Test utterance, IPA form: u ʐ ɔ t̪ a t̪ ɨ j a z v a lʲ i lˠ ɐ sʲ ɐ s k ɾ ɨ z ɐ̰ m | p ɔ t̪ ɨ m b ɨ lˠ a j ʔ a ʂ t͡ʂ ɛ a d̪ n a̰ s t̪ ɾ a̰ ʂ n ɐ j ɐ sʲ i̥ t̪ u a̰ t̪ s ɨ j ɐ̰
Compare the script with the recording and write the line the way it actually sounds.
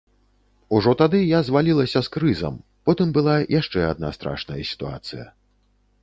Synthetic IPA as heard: u ʐ ɔ t̪ a d̪ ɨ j a z v a lʲ i lˠ ɐ sʲ ɐ s k ɾ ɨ z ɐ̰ m | p ɔ t̪ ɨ m b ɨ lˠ a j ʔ a ʂ t͡ʂ ɛ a d̪ n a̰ s t̪ ɾ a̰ ʂ n ɐ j ɐ sʲ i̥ t̪ u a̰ t̪ s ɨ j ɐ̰